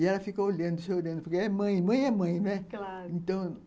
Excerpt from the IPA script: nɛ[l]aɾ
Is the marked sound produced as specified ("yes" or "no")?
yes